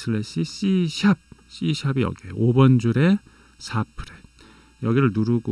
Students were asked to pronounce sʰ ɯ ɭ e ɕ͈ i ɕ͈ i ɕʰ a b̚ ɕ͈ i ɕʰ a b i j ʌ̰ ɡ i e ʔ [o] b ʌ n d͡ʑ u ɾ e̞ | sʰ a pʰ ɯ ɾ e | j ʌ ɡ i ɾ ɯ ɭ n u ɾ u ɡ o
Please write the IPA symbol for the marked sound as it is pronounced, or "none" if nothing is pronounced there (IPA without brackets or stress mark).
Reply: o